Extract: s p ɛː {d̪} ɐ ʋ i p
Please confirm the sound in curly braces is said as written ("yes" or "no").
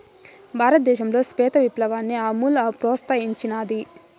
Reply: no